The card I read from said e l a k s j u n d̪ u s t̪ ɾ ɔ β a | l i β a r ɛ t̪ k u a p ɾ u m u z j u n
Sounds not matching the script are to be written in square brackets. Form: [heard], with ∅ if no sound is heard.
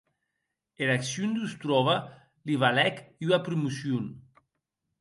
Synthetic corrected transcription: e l a k s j u n d̪ u s t̪ ɾ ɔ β a | l i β a [l] ɛ [∅] k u a p ɾ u m u [s] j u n